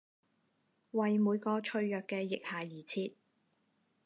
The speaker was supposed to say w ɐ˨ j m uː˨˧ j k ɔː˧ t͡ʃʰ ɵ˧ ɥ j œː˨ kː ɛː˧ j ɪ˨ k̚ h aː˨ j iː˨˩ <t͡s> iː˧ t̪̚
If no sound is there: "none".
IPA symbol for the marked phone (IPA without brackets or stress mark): t͡sʰ